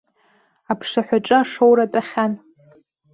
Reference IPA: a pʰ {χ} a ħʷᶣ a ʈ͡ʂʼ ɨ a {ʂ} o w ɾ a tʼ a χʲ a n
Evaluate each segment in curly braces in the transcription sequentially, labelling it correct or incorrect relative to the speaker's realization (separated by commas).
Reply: incorrect, correct